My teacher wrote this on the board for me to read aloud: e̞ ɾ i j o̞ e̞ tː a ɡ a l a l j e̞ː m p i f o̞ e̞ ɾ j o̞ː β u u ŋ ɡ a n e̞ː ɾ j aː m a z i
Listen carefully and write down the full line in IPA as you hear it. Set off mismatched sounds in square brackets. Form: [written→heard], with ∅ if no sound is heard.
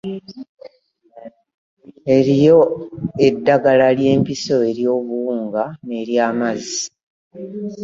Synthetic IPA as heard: e̞ ɾ i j o̞ e̞ [tː→dː] a ɡ a l a l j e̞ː m p i [f→s] o̞ e̞ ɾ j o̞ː β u [u→uː] ŋ ɡ a n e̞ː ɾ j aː m a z i